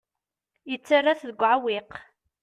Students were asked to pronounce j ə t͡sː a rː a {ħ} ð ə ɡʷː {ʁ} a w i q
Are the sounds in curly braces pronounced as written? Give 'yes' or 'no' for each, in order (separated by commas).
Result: no, no